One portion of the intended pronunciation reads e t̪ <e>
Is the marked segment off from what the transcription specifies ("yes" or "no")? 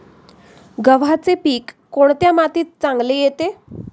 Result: no